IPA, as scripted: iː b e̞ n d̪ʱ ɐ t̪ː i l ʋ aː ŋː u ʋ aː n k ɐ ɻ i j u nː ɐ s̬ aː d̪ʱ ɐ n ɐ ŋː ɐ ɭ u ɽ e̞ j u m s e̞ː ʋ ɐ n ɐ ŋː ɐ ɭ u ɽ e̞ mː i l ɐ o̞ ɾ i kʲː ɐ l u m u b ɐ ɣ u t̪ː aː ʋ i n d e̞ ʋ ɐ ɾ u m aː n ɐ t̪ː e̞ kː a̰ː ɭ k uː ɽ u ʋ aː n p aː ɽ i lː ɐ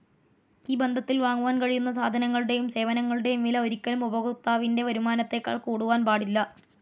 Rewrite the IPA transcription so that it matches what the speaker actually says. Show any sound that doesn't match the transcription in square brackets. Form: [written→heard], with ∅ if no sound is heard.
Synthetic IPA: iː b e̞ n d̪ʱ ɐ t̪ː i l ʋ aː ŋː u ʋ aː n k ɐ ɻ i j u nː ɐ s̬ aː d̪ʱ ɐ n ɐ ŋː ɐ ɭ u ɽ e̞ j u m s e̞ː ʋ ɐ n ɐ ŋː ɐ ɭ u ɽ e̞ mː i l ɐ o̞ ɾ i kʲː ɐ l u m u b ɐ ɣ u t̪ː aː ʋ i n d e̞ ʋ ɐ ɾ u m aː n ɐ t̪ː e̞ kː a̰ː ɭ k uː ɽ u ʋ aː n p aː ɽ i lː ɐ